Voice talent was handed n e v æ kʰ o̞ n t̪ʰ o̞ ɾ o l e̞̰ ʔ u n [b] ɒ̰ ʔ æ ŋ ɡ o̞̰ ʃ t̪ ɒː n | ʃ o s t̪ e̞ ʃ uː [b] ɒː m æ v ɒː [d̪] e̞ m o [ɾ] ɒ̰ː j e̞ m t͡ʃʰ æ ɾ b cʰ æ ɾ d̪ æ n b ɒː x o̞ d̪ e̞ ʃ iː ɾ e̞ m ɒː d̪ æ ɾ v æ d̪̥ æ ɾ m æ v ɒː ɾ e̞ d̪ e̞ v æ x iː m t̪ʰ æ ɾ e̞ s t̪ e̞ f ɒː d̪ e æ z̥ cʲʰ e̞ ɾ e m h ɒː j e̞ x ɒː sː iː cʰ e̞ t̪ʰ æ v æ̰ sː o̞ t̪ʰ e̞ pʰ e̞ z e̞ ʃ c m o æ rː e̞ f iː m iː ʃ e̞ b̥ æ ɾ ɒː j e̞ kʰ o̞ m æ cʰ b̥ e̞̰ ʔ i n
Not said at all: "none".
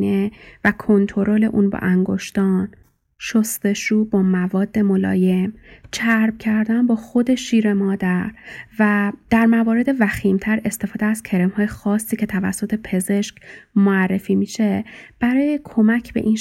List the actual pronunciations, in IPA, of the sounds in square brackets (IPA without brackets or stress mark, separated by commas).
b, b, d̪ː, l